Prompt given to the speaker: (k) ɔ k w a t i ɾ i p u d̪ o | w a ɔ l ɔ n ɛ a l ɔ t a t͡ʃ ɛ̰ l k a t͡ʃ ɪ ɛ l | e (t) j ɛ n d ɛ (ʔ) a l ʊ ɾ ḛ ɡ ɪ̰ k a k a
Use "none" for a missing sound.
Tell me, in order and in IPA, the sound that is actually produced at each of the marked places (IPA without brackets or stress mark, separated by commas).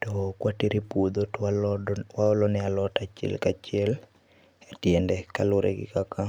t, t, k